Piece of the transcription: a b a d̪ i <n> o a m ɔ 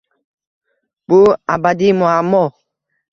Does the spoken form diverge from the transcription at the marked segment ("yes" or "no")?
yes